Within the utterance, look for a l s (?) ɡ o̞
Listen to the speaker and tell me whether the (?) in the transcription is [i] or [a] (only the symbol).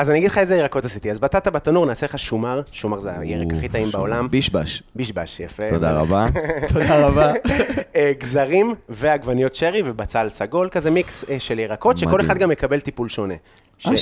a